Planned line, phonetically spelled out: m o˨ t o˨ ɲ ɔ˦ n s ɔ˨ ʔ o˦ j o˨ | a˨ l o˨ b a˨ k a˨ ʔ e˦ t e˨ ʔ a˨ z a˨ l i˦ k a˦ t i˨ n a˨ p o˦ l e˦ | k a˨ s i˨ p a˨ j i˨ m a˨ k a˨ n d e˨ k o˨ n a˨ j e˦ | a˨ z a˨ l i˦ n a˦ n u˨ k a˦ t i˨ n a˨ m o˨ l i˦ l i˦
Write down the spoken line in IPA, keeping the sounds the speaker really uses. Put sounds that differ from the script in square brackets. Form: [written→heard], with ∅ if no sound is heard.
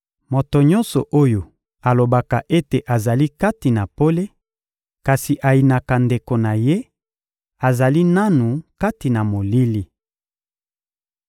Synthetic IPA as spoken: m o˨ t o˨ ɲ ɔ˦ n s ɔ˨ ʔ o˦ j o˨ | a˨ l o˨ b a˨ k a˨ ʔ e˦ t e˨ ʔ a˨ z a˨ l i˦ k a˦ t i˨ n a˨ p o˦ l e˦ | k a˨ s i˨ [p→ʔ] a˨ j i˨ [m→n] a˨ k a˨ n d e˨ k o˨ n a˨ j e˦ | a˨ z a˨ l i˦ n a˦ n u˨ k a˦ t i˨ n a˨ m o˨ l i˦ l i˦